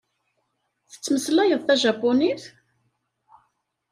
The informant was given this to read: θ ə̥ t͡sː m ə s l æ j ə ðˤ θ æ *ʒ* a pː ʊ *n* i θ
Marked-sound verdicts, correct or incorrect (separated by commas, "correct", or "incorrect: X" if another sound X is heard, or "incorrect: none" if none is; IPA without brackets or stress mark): correct, correct